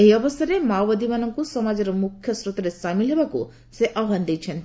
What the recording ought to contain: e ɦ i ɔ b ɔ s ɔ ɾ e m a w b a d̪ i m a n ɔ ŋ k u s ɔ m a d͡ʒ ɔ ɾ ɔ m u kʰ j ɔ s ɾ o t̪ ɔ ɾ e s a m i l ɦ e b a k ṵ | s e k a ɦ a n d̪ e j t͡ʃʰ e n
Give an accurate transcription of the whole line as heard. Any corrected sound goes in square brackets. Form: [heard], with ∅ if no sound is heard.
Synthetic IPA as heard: e ɦ i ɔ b ɔ s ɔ ɾ e m a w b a d̪ i m a n ɔ ŋ k u s ɔ m a d͡ʒ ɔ ɾ ɔ m u kʰ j ɔ s ɾ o t̪ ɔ ɾ e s a m i l ɦ e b a k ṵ | s e [ʔ] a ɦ a n d̪ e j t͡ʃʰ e n

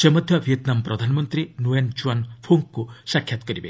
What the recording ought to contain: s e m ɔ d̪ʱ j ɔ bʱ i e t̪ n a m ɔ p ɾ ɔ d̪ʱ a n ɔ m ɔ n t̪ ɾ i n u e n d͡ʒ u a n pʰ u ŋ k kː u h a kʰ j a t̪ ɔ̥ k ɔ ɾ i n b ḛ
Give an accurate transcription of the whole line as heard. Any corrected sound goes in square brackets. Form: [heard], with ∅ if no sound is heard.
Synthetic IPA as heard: s e m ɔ d̪ʱ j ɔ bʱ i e t̪ n a m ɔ p ɾ ɔ d̪ʱ a n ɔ m ɔ n t̪ ɾ i n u e n d͡ʒ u a n pʰ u ŋ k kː u [s] a kʰ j a t̪ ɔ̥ k ɔ ɾ i [∅] b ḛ

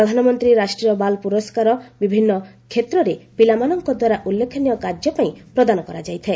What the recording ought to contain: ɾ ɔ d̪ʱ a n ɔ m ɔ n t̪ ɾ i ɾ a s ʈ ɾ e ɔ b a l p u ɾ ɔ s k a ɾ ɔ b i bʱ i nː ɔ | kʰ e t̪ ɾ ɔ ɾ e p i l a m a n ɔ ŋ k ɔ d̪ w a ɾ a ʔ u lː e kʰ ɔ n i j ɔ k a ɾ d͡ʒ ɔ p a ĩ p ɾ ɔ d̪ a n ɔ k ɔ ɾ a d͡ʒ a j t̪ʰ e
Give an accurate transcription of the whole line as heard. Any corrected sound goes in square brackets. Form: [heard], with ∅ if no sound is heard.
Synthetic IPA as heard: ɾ ɔ d̪ʱ a n ɔ m ɔ n t̪ ɾ i ɾ a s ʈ ɾ [i] ɔ b a l p u ɾ ɔ s k a ɾ ɔ b i bʱ i nː ɔ | kʰ e t̪ ɾ ɔ ɾ e p i l a m a n ɔ ŋ k ɔ d̪ w a ɾ a ʔ u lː e kʰ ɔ n i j ɔ k a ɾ d͡ʒ ɔ p a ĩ p ɾ ɔ d̪ a n ɔ k ɔ ɾ a d͡ʒ a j t̪ʰ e

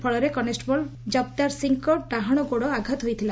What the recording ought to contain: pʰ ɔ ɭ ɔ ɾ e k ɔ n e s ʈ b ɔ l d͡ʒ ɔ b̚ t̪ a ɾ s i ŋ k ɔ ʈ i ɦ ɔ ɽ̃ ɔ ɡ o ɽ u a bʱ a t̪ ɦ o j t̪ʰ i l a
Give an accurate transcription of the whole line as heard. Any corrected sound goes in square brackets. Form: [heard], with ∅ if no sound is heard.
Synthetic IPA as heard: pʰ ɔ ɭ ɔ ɾ e k ɔ n e s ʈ b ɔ l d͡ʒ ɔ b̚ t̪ a ɾ s i ŋ k ɔ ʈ [a] ɦ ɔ ɽ̃ ɔ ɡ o ɽ [ɔ] a [ɡʱ] a t̪ ɦ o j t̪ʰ i l a

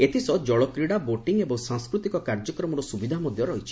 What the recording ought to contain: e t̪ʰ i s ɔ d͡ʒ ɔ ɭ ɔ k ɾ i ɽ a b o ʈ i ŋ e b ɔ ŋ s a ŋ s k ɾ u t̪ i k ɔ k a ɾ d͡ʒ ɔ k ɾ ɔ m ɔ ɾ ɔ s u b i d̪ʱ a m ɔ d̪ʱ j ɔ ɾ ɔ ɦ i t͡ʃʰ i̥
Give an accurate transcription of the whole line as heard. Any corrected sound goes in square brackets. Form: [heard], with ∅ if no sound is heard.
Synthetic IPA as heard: e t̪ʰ i s ɔ d͡ʒ ɔ ɭ ɔ k ɾ i ɽ a b o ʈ i ŋ e b ɔ ŋ s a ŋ s k ɾ u t̪ i k ɔ k a ɾ d͡ʒ ɔ k ɾ ɔ m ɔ ɾ ɔ s u b i d̪ʱ a m ɔ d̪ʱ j ɔ ɾ ɔ ɦ i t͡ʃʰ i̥

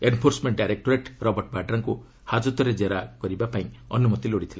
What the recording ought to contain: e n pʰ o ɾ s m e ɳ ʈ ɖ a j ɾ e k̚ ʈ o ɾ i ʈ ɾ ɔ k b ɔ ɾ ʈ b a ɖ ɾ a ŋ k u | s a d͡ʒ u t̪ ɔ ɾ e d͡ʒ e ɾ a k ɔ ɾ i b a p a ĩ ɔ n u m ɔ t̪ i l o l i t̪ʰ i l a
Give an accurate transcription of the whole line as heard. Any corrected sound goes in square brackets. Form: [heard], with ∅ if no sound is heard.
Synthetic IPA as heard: e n pʰ o ɾ s m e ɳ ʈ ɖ a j ɾ e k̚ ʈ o ɾ [e] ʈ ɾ ɔ [∅] b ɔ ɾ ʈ b a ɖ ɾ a ŋ k u | [h] a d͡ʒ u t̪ ɔ ɾ e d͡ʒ e ɾ a k ɔ ɾ i b a p a ĩ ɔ n u m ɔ t̪ i l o [ɽ] i t̪ʰ i l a

